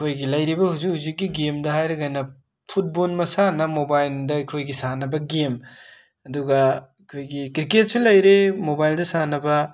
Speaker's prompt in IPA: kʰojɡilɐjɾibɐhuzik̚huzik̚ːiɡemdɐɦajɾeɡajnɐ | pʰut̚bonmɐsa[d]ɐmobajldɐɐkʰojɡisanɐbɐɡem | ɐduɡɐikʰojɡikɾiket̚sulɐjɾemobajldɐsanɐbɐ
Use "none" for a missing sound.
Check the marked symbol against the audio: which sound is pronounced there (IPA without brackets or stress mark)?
n